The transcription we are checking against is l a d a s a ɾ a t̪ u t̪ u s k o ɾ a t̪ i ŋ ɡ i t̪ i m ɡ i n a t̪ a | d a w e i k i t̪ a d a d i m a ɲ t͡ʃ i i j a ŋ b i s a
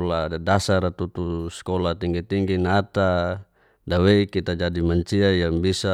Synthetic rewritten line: l a d a s a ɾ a t̪ u t̪ u s k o l a t̪ i ŋ ɡ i t̪ i ŋ ɡ i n a t̪ a | d a w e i k i t̪ a d͡ʒ a d i m a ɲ t͡ʃ i a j a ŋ b i s a